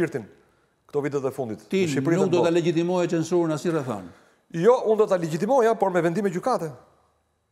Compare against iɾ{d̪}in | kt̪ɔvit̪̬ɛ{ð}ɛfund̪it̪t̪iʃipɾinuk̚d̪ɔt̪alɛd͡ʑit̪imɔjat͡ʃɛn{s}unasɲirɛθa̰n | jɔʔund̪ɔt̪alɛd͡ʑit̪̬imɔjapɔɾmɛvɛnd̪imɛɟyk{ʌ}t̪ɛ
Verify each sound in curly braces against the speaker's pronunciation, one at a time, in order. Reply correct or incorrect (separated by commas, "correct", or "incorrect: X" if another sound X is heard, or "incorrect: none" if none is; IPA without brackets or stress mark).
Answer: incorrect: t̪, correct, correct, incorrect: a